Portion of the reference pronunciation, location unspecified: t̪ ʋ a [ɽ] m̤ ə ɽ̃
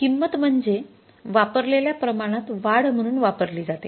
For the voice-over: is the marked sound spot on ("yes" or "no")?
yes